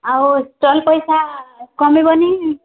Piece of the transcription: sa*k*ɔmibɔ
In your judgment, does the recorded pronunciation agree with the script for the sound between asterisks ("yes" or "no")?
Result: yes